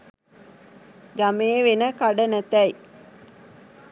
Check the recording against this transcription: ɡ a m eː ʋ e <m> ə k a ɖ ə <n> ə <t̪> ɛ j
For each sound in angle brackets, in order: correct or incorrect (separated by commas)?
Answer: incorrect, correct, correct